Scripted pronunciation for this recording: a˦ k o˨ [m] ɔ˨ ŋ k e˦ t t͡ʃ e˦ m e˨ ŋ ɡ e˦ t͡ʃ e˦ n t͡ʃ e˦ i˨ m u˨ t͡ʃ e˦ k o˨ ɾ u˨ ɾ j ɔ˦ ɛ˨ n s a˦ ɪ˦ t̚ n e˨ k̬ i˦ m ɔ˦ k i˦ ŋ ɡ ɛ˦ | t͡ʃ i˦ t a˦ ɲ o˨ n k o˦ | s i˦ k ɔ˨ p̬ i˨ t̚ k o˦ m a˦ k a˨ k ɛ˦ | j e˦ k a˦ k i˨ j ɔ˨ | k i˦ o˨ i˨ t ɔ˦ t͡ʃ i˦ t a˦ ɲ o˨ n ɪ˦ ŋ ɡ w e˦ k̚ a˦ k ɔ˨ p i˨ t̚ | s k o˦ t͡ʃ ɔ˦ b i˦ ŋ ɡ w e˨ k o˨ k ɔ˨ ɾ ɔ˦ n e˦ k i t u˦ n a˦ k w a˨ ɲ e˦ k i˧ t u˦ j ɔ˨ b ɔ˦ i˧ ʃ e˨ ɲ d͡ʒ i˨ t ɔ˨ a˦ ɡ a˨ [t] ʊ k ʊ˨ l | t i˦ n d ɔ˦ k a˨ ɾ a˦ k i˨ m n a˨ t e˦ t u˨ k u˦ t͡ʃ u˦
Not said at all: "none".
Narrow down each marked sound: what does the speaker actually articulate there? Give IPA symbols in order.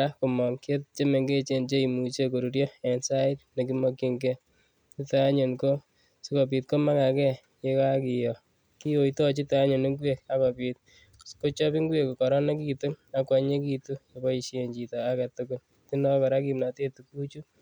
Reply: m, t

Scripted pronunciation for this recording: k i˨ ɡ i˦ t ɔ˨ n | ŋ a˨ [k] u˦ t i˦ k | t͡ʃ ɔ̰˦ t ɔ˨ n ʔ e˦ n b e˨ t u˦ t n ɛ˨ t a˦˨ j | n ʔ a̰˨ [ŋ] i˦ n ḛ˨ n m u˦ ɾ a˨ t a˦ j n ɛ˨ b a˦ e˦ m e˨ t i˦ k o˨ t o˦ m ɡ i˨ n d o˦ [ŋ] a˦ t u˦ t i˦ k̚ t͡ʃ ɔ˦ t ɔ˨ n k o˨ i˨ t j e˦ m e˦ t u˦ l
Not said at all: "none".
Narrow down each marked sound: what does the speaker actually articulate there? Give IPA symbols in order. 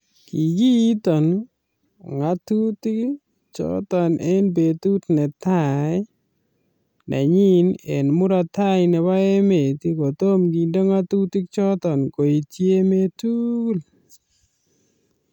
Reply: t, ɲ, ŋ

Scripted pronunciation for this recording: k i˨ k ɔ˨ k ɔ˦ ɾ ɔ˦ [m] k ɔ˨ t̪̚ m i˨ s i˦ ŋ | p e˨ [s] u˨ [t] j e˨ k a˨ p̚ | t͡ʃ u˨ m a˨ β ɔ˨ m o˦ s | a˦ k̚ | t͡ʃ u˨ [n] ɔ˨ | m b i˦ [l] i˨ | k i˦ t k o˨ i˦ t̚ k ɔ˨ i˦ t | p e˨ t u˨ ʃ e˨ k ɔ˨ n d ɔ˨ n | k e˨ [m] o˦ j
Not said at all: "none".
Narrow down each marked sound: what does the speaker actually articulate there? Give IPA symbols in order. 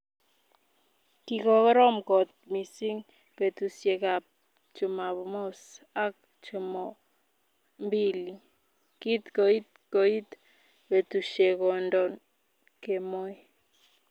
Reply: m, t, s, m, l, m

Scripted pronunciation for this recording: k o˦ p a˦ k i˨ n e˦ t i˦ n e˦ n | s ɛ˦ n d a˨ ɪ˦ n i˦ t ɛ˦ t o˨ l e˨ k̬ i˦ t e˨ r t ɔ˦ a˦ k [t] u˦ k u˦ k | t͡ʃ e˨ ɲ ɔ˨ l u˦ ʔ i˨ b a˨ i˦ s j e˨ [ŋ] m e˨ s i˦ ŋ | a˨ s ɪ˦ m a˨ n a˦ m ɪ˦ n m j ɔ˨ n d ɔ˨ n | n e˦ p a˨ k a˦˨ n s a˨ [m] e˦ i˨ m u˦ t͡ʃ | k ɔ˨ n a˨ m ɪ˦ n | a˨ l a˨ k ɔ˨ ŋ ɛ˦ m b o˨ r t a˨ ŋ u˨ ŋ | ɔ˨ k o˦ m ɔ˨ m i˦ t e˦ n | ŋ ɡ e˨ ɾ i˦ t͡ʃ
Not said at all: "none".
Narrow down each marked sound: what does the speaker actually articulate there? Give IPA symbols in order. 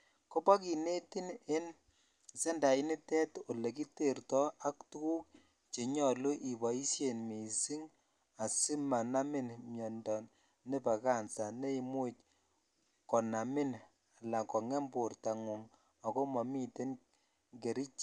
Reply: t, n, n

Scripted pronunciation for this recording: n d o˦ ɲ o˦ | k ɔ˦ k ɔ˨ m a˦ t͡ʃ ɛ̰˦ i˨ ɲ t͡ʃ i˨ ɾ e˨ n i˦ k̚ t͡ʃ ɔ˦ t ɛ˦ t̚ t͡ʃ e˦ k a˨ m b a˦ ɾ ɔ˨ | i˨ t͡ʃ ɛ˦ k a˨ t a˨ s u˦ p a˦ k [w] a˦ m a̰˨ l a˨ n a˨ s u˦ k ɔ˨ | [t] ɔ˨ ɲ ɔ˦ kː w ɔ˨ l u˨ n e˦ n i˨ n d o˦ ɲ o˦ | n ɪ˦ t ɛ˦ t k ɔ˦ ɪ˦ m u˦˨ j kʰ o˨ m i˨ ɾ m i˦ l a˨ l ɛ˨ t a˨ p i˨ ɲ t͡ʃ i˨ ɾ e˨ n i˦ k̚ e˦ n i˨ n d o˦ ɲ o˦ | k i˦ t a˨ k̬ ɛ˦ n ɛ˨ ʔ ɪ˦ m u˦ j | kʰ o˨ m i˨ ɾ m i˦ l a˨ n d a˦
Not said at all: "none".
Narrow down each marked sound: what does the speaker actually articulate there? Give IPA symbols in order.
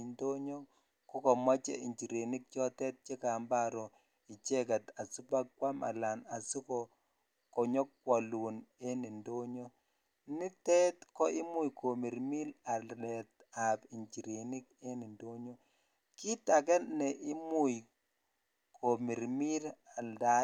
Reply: w, k

